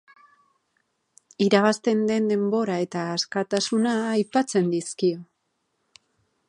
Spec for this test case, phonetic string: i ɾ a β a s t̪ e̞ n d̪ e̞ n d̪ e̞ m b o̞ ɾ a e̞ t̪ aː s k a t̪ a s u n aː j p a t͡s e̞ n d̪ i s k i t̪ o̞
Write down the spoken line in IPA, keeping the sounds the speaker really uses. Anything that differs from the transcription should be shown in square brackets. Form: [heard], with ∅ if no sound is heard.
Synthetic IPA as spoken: i ɾ a β a s t̪ e̞ n d̪ e̞ n d̪ e̞ m b o̞ ɾ a e̞ t̪ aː s k a t̪ a s u n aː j p a t͡s e̞ n d̪ i s k i [∅] o̞